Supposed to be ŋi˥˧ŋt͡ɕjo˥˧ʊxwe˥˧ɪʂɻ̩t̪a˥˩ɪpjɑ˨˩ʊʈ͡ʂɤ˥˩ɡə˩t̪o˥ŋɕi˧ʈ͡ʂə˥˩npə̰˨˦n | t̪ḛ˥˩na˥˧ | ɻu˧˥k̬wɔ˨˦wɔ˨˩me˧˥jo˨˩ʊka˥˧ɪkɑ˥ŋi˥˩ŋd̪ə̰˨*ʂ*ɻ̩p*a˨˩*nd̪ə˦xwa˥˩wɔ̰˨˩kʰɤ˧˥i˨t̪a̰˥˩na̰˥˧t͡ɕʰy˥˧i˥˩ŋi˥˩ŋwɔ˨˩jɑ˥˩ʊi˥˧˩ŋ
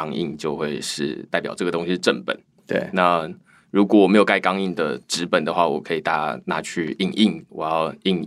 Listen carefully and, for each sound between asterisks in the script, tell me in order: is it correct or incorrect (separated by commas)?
incorrect, incorrect